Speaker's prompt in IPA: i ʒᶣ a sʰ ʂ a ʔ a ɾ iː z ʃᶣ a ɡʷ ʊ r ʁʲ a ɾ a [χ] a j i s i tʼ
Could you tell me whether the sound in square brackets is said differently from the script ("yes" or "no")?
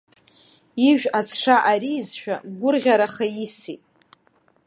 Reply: no